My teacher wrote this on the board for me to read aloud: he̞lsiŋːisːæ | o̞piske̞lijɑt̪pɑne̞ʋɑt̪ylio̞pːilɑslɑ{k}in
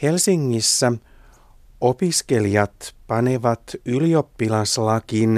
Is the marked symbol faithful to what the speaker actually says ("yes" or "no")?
yes